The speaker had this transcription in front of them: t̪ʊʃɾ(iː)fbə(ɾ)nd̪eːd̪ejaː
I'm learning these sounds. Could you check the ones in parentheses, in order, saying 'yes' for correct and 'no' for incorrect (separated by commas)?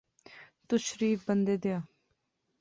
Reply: yes, no